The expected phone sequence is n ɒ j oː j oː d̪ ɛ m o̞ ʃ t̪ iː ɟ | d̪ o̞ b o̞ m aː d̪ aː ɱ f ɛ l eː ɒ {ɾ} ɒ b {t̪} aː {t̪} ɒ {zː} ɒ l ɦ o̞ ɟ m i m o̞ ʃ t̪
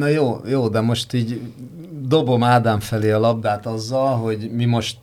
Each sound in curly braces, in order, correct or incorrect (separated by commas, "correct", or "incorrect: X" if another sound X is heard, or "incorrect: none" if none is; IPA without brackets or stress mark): incorrect: l, incorrect: d̪, correct, correct